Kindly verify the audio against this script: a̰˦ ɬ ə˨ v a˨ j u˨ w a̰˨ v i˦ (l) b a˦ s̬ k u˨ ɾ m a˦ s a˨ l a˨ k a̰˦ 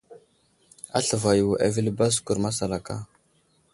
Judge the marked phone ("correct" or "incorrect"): correct